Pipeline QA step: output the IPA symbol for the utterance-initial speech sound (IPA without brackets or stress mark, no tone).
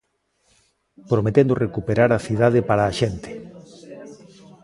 p